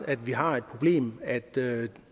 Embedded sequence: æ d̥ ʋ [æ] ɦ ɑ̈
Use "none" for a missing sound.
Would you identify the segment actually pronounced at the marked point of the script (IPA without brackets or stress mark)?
i